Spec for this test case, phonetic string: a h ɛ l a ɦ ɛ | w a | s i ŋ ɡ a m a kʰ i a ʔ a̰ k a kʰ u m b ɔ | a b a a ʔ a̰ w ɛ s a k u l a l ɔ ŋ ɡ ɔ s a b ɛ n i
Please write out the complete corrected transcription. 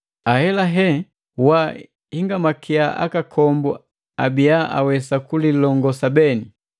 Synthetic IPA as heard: a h ɛ l a ɦ ɛ | w a | h i ŋ ɡ a m a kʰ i a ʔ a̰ k a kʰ ɔ m b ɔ | a b i a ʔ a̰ w ɛ s a k u l i l ɔ ŋ ɡ ɔ s a b ɛ n i